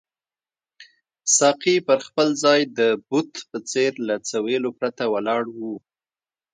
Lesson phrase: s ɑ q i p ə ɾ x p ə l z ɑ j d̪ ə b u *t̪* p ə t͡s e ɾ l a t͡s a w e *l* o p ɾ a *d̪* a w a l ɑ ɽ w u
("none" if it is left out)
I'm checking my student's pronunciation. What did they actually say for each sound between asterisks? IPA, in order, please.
t̪, l, t̪

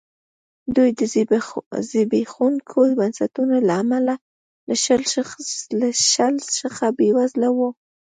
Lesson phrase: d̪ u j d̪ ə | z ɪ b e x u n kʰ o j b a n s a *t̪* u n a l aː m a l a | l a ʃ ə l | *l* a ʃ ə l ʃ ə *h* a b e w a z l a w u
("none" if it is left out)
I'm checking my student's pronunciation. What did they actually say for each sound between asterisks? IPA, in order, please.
t̪, l, x

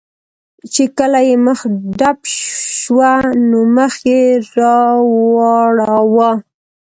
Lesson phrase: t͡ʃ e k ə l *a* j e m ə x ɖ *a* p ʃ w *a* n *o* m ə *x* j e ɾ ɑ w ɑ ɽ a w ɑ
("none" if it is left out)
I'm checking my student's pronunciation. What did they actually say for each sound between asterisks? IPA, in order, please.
a, a, a, o, x

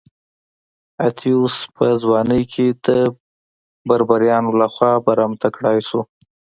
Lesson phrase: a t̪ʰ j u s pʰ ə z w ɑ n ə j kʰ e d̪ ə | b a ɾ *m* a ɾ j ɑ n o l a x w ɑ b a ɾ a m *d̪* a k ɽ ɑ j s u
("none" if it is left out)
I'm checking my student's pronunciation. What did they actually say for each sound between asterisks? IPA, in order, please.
b, t̪

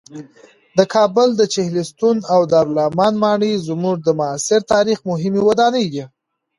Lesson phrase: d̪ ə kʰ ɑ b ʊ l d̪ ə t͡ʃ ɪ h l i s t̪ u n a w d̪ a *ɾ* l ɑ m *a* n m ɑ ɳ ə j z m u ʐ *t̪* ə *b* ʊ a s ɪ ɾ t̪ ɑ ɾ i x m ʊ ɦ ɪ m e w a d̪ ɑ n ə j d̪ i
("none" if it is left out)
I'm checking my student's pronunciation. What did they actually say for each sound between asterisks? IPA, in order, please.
ɾ, ɑ, d̪, m

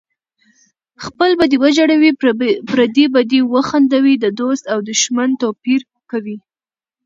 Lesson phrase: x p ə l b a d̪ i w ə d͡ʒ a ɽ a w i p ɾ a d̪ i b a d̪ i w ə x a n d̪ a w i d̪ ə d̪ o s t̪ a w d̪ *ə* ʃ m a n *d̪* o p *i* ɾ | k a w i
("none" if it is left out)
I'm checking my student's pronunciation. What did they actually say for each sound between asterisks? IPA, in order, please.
ə, t̪, i

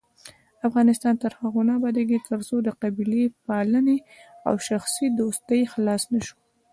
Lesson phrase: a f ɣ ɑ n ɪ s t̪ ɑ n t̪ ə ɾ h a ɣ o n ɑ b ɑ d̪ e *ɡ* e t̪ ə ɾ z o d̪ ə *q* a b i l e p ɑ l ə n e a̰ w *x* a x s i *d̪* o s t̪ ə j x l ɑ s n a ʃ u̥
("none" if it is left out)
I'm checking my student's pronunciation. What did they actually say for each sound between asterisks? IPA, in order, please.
ɡ, q, ʃ, d̪

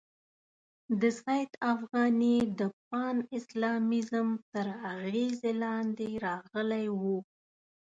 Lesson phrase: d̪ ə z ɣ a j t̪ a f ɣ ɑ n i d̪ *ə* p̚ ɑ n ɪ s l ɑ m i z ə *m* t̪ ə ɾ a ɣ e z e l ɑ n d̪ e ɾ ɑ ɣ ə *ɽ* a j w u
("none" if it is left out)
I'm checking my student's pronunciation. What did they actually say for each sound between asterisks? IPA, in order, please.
ə, m, l

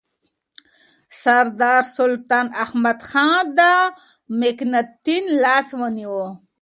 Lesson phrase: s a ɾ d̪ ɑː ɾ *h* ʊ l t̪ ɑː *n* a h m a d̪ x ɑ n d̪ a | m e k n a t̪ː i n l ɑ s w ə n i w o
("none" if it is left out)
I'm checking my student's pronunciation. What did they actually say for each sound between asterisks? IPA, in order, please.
s, n

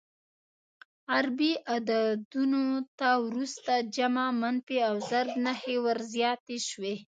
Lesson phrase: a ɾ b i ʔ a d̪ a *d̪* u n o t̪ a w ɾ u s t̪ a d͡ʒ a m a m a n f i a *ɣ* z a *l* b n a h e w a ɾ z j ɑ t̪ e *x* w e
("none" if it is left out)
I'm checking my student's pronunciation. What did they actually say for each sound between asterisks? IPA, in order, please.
d̪, w, ɾ, ʃ

